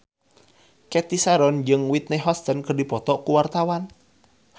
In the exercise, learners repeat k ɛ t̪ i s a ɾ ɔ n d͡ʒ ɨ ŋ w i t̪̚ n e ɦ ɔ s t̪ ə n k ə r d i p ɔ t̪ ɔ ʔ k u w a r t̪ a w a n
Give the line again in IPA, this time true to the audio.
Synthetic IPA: k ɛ t̪ i s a ɾ ɔ n d͡ʒ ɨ ŋ w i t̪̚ n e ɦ ɔ s t̪ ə n k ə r d i p ɔ t̪ ɔ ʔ k u w a r t̪ a w a n